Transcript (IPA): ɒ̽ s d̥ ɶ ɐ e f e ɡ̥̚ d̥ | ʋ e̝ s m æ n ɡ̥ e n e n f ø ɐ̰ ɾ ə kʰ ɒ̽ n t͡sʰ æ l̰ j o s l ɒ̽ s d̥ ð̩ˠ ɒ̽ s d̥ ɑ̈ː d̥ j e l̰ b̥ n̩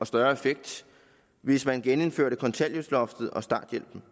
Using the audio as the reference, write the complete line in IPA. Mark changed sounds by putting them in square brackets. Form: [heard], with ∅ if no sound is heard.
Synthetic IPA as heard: ɒ̽ s d̥ ɶ ɐ e f e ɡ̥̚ d̥ | ʋ e̝ s m æ n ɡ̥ e n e n f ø ɐ̰ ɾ ə kʰ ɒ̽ n t͡sʰ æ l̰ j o s l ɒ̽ [f] d̥ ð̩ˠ ɒ̽ s d̥ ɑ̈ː d̥ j e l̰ b̥ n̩